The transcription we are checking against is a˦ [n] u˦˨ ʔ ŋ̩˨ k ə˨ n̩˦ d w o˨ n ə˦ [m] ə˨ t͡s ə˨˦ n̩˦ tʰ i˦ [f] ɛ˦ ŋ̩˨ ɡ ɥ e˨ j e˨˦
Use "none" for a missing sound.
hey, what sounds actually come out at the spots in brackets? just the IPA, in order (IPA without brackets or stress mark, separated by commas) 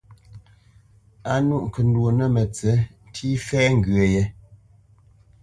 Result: n, m, f